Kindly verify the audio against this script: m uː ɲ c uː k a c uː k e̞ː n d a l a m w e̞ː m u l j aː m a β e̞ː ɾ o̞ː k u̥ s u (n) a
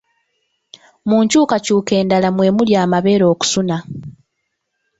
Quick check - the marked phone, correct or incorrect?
correct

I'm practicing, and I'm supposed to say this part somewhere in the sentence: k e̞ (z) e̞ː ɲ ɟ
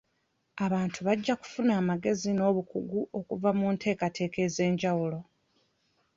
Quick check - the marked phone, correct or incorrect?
correct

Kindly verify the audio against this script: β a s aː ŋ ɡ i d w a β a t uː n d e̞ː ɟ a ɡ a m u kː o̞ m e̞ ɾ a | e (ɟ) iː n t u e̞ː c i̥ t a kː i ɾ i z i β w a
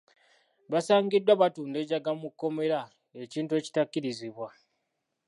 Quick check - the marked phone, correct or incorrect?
incorrect: c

